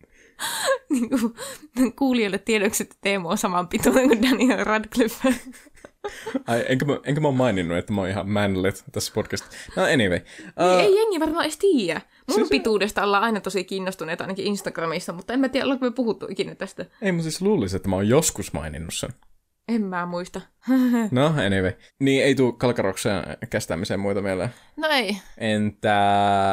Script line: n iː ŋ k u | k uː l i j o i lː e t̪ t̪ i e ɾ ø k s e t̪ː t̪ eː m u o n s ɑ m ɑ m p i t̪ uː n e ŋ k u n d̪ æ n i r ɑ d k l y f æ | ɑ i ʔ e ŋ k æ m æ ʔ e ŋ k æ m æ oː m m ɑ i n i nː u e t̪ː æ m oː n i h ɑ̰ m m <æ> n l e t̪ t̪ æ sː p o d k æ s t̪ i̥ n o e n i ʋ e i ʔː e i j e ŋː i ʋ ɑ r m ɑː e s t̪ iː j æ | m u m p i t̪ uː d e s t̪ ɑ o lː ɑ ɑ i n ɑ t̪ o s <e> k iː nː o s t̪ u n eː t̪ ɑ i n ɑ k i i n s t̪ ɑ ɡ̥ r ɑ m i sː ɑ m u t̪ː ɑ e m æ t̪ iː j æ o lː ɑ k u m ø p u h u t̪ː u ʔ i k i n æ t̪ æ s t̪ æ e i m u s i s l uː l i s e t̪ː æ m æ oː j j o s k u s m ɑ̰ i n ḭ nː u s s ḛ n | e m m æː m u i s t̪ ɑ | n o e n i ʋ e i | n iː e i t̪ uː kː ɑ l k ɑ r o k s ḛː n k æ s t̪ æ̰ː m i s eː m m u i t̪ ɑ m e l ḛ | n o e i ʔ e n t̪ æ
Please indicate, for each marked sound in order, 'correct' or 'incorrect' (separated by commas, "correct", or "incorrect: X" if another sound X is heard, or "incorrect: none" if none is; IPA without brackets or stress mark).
correct, incorrect: i